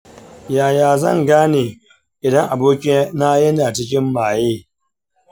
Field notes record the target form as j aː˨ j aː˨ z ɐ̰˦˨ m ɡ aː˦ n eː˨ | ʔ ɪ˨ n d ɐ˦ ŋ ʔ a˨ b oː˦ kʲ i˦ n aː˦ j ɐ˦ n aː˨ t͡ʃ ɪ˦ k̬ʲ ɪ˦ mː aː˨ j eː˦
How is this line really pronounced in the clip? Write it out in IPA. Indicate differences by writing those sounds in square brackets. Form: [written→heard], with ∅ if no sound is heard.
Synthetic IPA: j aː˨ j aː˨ z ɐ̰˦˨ [m→ŋ] ɡ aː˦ n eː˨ | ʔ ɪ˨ [n→∅] d ɐ˦ ŋ ʔ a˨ b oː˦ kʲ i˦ n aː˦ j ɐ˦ n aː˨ t͡ʃ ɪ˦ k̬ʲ ɪ˦ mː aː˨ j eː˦